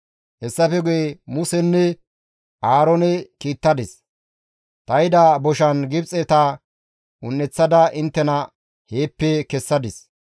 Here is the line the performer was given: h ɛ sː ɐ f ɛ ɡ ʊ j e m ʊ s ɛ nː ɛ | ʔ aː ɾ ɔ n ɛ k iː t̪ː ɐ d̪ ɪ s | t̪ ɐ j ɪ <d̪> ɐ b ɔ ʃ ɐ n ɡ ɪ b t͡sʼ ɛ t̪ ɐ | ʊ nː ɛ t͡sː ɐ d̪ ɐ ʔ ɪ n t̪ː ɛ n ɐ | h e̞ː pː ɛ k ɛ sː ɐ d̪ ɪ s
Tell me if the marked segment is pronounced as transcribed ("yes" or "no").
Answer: yes